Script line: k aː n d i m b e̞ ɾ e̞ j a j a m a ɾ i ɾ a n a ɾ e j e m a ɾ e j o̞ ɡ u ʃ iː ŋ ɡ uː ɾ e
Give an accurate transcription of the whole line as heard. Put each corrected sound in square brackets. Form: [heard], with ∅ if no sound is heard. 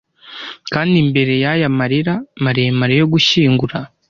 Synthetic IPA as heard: k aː n d i m b e̞ ɾ e̞ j a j a m a ɾ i ɾ a [m] a ɾ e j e m a ɾ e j o̞ ɡ u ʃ iː ŋ ɡ [u] ɾ [a]